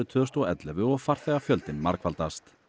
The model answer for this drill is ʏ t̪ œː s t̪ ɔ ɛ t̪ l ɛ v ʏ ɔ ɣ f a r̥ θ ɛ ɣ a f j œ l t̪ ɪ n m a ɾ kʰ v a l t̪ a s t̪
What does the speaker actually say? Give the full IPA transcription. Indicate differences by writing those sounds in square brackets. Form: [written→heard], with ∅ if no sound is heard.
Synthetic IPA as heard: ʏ [t̪→t̪ʰ] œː s t̪ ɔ ɛ t̪ l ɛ v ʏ ɔ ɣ f a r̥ θ ɛ ɣ a f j œ l t̪ ɪ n m a ɾ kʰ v a l t̪ a s t̪